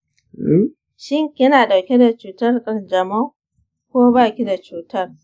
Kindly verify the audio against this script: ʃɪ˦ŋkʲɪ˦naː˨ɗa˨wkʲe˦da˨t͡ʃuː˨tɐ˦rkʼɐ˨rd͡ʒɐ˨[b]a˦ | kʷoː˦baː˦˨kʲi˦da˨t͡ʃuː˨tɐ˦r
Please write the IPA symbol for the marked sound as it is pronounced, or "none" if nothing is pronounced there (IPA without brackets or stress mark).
m